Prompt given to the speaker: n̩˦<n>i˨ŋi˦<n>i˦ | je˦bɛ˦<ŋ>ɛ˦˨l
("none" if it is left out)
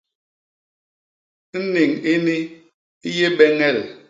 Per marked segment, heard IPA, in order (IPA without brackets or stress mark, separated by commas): n, n, ŋ